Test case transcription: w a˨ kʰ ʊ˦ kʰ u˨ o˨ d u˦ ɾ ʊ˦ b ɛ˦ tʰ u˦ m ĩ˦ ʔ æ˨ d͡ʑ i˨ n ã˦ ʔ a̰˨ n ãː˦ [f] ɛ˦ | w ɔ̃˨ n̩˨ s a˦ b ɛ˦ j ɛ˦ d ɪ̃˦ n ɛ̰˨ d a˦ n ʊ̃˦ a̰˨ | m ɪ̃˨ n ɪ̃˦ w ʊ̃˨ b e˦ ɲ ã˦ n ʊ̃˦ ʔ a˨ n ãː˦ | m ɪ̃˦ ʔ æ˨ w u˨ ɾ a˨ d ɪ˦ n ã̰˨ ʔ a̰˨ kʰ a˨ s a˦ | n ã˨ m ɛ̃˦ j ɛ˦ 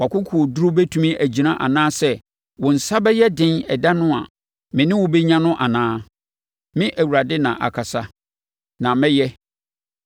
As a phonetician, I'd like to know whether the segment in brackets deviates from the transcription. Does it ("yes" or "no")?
yes